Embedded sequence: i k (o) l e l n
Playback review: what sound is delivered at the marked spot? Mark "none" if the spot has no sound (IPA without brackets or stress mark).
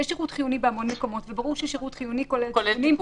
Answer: o